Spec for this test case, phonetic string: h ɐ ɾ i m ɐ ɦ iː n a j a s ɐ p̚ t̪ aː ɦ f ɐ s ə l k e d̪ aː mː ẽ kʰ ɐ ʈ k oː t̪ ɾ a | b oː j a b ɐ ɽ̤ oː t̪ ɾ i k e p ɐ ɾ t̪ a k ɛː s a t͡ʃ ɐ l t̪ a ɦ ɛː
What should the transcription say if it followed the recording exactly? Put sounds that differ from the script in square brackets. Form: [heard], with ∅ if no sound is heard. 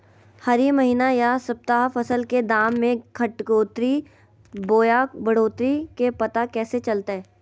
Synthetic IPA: h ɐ ɾ i m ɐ ɦ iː n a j a s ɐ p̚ t̪ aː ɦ f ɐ s ə l k e d̪ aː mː ẽ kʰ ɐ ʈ k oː t̪ ɾ [i] | b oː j a b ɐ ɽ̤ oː t̪ ɾ i k e p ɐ [∅] t̪ a k ɛː s [e] t͡ʃ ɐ l t̪ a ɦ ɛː